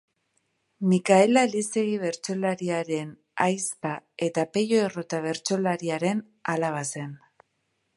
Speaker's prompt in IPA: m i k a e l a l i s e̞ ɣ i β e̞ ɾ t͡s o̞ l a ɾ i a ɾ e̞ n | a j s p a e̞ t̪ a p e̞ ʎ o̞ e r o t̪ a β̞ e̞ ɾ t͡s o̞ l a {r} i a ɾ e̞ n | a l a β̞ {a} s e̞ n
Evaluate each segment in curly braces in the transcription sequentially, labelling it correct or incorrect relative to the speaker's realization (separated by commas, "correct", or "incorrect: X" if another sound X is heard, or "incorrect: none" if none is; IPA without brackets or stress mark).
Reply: incorrect: ɾ, correct